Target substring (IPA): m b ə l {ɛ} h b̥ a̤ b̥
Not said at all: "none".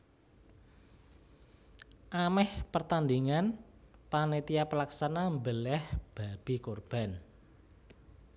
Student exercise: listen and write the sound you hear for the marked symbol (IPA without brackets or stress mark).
ɛ